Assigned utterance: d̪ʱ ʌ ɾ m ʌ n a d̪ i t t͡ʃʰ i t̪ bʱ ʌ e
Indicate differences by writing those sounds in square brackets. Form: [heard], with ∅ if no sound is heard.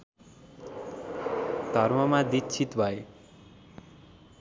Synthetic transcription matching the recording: d̪ʱ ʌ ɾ m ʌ [m] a d̪ i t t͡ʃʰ i t̪ bʱ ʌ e